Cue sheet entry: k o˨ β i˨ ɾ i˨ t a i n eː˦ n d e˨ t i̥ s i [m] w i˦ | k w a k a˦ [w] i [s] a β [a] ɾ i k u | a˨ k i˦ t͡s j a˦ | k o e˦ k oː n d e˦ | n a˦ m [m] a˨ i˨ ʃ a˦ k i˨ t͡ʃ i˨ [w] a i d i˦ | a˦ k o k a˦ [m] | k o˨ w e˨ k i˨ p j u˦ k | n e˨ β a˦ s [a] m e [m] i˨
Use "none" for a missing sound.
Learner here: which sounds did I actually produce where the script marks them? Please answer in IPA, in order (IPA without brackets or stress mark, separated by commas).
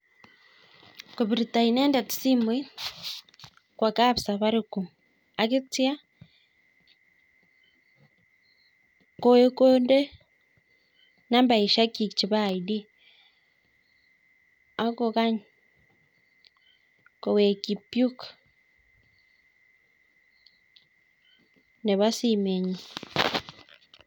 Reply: m, β, s, a, b, β, ɲ, i, ɲ